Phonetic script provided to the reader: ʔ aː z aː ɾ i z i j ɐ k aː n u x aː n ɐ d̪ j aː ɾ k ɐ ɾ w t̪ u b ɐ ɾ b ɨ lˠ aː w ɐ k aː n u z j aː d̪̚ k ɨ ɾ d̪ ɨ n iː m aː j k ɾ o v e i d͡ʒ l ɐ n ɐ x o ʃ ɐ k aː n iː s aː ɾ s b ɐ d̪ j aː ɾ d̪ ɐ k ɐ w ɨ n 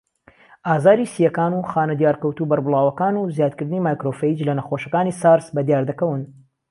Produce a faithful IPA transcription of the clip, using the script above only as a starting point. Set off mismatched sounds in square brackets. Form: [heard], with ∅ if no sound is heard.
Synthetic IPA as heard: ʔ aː z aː ɾ i [s] i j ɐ k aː n u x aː n ɐ d̪ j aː ɾ k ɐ [∅] w t̪ u b ɐ ɾ b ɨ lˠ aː w ɐ k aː n u z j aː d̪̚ k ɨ ɾ d̪ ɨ n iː m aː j k ɾ o [f] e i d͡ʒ l ɐ n ɐ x o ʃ ɐ k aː n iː s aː ɾ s b ɐ d̪ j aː ɾ d̪ ɐ k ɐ w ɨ n